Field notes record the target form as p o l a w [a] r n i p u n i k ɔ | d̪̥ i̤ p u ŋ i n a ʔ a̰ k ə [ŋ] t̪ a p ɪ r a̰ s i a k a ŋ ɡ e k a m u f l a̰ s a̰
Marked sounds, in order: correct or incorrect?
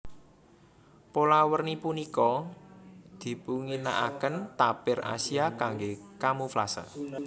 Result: incorrect, incorrect

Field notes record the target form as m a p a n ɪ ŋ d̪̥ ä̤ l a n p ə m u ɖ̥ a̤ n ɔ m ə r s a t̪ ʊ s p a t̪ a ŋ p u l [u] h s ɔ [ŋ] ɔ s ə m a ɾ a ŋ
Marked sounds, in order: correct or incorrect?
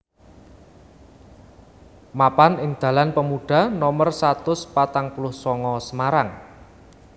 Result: incorrect, correct

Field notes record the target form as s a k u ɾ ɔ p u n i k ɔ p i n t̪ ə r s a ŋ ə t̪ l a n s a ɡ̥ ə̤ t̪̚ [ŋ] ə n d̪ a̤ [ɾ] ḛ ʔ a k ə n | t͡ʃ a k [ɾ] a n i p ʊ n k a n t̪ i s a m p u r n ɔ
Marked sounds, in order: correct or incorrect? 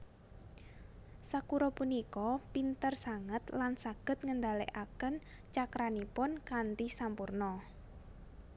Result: correct, incorrect, correct

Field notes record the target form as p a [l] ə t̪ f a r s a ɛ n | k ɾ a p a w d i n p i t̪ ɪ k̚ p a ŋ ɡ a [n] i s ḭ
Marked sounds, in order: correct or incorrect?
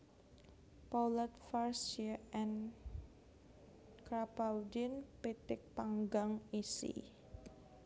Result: correct, incorrect

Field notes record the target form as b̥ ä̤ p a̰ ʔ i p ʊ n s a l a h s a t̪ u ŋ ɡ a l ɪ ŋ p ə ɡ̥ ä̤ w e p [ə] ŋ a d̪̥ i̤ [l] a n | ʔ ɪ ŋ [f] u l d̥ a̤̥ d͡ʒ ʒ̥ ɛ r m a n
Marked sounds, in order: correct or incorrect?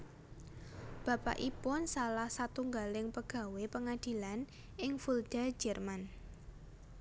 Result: correct, correct, correct

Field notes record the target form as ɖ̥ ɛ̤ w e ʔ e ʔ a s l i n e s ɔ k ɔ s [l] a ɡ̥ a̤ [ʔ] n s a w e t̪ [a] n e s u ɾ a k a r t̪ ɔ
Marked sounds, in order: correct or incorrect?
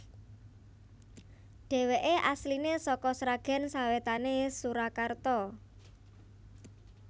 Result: incorrect, incorrect, correct

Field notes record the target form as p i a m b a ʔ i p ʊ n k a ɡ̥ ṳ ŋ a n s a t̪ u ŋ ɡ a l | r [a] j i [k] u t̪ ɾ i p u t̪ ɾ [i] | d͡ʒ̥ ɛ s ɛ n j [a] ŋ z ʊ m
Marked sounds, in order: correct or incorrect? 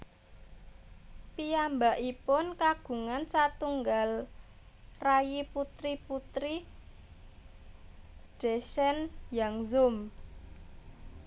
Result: correct, incorrect, correct, correct

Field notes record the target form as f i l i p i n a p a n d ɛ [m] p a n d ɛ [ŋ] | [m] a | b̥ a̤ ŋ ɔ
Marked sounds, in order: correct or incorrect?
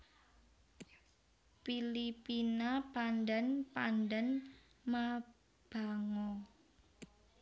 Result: incorrect, incorrect, correct

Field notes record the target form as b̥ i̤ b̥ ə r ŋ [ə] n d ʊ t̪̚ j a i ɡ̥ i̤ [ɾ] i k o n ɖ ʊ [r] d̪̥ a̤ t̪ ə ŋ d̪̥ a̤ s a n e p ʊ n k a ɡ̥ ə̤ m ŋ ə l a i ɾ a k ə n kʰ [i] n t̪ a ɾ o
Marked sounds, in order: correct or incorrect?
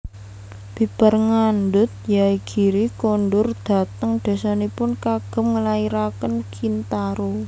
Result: incorrect, correct, correct, correct

